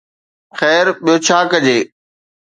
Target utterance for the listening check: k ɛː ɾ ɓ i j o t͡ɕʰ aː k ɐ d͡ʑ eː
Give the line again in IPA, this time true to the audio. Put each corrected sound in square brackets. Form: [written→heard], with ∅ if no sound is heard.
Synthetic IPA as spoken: [k→x] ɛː ɾ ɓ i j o t͡ɕʰ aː k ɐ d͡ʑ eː